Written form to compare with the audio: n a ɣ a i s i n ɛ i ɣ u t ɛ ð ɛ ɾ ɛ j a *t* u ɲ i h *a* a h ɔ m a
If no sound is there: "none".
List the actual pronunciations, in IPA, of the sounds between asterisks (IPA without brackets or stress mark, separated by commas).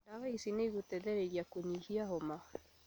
k, i